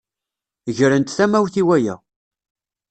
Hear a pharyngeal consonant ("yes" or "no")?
no